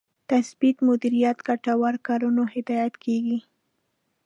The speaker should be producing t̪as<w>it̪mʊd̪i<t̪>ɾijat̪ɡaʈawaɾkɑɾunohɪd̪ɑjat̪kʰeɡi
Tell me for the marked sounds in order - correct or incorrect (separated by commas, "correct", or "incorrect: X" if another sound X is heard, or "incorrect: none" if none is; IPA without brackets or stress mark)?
incorrect: b, incorrect: none